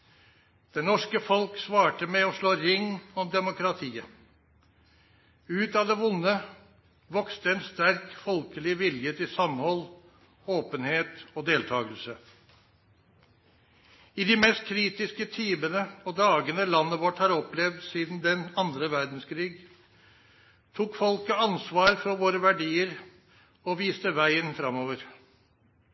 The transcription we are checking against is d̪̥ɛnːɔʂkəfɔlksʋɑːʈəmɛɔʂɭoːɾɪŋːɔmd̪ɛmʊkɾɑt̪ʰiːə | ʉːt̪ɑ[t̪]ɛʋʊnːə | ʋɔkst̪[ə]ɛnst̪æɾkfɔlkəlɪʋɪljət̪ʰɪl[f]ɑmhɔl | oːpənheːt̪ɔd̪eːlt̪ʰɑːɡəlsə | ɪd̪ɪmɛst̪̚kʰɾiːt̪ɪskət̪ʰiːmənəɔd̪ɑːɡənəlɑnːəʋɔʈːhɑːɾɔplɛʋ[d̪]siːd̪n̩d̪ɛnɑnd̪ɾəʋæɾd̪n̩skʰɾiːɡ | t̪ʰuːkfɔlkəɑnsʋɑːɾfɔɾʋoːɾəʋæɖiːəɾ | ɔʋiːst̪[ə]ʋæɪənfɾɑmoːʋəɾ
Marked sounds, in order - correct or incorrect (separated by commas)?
incorrect, correct, incorrect, correct, correct